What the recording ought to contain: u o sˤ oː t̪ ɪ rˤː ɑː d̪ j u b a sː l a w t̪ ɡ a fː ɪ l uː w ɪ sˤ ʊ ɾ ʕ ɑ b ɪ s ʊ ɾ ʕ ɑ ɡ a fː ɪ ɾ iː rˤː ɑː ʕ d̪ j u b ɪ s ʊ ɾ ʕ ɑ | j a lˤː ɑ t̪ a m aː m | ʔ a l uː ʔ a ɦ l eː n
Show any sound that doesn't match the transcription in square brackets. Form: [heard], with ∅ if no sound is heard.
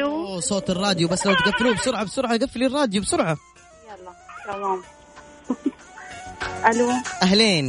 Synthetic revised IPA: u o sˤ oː t̪ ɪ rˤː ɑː d̪ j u b a sː l a w t̪ ɡ a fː ɪ l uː [b] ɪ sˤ ʊ ɾ ʕ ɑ b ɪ s ʊ ɾ ʕ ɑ ɡ a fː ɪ [l] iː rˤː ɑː [∅] d̪ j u b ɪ s ʊ ɾ ʕ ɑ | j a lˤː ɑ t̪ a m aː m | ʔ a l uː ʔ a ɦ l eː n